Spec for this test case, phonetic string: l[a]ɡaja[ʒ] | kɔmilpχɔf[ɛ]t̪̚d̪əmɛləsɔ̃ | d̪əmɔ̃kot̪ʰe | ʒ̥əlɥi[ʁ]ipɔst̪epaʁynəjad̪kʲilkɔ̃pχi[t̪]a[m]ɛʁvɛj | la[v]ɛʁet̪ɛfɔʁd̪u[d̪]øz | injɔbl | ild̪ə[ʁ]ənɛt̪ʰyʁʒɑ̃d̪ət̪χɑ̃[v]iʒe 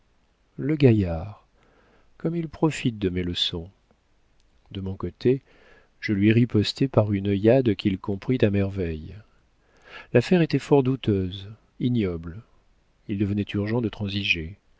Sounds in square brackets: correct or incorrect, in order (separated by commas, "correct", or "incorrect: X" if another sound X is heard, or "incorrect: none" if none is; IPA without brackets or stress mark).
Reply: incorrect: ə, incorrect: ʁ, incorrect: i, correct, correct, correct, incorrect: f, incorrect: t̪, incorrect: v, incorrect: z